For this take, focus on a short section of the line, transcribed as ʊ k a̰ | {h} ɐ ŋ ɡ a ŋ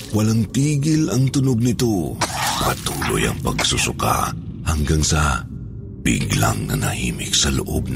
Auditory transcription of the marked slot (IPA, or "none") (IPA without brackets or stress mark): h